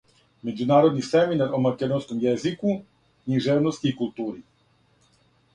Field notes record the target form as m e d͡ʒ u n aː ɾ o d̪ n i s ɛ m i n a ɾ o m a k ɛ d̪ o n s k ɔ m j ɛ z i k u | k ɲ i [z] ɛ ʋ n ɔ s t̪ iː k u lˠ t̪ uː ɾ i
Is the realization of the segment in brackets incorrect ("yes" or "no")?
yes